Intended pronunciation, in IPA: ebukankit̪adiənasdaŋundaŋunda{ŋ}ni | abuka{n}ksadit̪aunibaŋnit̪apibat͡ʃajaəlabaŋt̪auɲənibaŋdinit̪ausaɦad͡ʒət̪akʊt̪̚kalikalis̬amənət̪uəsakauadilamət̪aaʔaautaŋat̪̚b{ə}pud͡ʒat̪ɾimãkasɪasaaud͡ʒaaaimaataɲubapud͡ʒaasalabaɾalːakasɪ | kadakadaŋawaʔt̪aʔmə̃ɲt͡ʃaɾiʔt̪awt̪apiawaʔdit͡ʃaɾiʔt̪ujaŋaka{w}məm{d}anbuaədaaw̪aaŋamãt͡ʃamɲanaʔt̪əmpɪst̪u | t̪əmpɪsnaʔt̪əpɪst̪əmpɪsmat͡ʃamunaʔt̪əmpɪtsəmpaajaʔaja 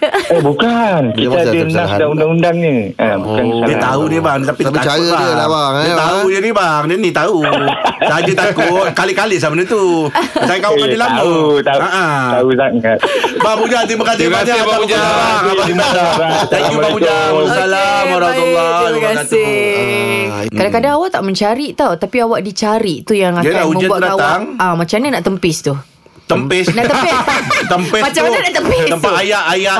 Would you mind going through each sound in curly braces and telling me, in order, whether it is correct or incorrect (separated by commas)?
correct, correct, incorrect, incorrect, incorrect